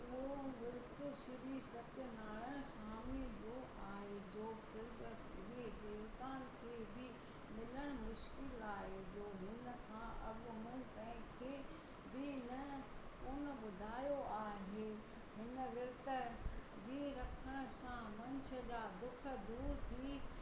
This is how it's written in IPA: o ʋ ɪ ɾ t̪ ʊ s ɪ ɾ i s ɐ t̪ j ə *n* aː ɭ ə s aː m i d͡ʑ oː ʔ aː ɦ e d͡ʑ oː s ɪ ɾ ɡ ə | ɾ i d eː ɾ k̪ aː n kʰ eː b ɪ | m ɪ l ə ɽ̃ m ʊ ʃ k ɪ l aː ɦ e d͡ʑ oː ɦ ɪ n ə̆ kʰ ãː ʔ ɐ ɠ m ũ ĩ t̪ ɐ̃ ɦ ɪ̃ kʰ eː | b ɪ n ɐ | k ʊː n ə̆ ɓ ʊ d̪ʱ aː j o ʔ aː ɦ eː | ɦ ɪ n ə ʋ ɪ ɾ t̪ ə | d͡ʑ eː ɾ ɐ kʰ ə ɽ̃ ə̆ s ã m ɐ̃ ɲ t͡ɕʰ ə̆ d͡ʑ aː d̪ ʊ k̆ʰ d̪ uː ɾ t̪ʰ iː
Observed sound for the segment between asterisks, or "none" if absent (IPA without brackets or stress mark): n